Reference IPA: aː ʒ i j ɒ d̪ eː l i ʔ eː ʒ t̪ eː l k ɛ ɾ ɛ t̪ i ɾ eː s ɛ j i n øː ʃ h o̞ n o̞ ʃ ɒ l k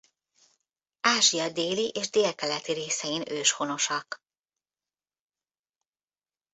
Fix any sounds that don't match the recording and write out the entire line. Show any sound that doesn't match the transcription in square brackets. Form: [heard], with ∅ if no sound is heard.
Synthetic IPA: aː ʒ i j ɒ d̪ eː l i ʔ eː ʒ [d̪] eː l k ɛ [l] ɛ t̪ i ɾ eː s ɛ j i n øː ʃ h o̞ n o̞ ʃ ɒ [∅] k